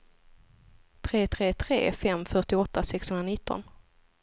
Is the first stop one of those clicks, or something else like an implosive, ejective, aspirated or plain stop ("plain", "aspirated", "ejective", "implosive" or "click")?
aspirated